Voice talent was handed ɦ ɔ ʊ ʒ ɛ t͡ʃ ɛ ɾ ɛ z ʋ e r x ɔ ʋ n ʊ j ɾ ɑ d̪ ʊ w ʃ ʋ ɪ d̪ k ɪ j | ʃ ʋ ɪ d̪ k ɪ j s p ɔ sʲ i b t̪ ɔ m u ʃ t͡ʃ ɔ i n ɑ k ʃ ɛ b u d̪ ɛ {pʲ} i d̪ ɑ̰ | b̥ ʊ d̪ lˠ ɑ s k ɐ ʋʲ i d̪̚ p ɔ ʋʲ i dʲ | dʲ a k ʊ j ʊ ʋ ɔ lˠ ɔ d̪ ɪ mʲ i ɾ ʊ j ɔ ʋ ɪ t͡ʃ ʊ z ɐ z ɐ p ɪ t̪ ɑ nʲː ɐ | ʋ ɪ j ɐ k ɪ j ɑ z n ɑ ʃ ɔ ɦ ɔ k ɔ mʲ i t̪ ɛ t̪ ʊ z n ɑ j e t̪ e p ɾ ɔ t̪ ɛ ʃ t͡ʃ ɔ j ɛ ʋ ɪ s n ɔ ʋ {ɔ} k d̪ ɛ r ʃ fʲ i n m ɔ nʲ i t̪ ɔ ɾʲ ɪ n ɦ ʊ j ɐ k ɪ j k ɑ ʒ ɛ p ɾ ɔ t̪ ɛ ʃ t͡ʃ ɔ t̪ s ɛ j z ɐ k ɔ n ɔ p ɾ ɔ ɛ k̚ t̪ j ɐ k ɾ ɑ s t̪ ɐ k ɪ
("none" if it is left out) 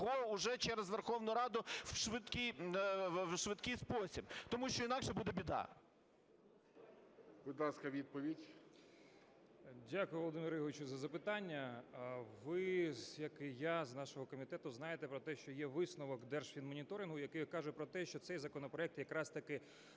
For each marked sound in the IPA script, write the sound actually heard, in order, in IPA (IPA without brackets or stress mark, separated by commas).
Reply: bʲ, ɔ